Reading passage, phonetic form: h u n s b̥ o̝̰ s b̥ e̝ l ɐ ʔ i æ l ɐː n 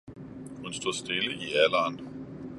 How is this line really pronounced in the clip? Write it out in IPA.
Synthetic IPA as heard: h u n s d̥ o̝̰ s d̥ e̝ l ə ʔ i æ l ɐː n